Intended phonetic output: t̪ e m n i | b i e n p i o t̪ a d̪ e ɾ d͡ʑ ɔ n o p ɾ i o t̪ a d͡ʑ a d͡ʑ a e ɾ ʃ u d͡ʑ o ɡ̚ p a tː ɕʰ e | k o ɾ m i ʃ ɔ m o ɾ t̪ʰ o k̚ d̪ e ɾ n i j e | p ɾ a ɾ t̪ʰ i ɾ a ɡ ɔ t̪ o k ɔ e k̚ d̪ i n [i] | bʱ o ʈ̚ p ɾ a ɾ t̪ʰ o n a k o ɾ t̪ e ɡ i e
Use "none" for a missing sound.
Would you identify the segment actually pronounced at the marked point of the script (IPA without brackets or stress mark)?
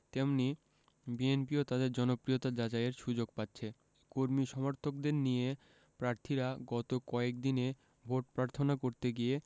e